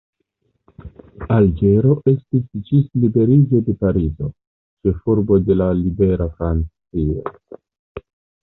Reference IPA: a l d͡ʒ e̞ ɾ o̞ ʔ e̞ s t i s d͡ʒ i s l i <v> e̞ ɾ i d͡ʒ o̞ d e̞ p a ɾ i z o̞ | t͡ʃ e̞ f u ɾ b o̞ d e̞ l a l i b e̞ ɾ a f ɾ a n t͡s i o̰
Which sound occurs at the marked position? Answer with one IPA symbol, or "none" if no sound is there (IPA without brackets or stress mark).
b